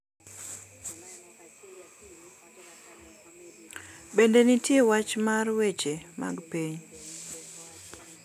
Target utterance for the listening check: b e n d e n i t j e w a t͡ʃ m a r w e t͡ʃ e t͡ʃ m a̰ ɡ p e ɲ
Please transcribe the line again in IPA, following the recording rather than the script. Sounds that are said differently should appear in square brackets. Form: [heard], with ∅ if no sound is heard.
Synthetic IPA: b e n d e n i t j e w a t͡ʃ m a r w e t͡ʃ e [∅] m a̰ ɡ p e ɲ